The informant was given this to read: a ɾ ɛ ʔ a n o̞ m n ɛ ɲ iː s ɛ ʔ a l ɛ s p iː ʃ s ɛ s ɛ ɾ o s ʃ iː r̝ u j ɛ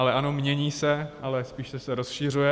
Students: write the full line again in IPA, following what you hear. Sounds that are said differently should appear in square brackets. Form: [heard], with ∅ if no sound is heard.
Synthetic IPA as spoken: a [l] ɛ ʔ a n o̞ m [ɲ] ɛ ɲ iː s ɛ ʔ a l ɛ s p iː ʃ s ɛ s ɛ ɾ o s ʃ iː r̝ u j ɛ